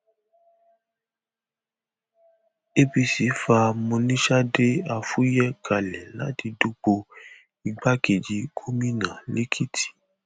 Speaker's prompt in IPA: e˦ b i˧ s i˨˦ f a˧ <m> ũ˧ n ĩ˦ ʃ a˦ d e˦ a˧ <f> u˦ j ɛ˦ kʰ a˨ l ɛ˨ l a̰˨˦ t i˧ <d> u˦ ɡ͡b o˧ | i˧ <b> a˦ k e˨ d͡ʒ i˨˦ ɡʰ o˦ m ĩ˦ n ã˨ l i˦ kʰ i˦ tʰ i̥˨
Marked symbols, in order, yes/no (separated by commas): yes, yes, yes, no